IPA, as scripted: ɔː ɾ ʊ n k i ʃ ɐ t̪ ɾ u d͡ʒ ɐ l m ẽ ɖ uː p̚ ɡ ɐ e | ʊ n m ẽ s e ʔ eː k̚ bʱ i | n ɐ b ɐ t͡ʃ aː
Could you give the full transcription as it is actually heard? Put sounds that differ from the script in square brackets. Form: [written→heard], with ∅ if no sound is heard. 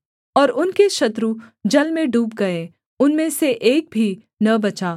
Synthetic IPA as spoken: ɔː ɾ ʊ n k [i→e] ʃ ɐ t̪ ɾ u d͡ʒ ɐ l m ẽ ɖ uː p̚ ɡ ɐ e | ʊ n m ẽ s e ʔ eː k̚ bʱ i | n ɐ b ɐ t͡ʃ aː